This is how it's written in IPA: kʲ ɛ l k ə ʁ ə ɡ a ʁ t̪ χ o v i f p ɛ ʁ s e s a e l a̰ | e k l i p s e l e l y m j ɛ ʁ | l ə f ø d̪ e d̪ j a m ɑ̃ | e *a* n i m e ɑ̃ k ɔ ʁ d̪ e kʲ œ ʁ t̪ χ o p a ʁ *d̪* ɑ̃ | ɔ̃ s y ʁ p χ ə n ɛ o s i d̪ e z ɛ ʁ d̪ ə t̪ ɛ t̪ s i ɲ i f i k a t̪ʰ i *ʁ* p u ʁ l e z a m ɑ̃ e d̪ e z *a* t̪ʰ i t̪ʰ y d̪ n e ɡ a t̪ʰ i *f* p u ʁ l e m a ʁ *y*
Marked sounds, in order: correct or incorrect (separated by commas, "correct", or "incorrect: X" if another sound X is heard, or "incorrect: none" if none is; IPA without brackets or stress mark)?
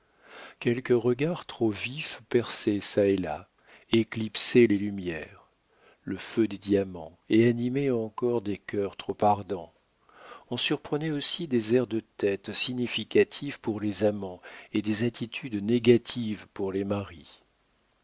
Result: correct, correct, incorrect: v, correct, incorrect: v, incorrect: i